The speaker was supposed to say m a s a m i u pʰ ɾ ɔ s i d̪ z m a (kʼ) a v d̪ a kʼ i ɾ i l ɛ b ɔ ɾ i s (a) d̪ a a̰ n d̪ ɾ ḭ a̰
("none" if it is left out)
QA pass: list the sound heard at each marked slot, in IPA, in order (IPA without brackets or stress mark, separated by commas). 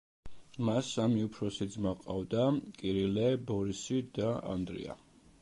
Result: qʼ, i